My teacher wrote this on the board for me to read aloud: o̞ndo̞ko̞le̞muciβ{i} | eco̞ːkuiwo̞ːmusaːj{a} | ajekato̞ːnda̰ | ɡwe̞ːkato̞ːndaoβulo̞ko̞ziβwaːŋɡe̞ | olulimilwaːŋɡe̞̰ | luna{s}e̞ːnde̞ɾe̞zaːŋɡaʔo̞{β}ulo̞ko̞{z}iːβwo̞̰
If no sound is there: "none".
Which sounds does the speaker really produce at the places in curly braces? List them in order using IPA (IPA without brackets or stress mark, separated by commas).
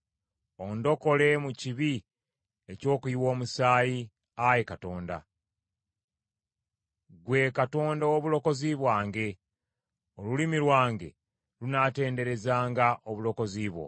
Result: i, i, t, β, z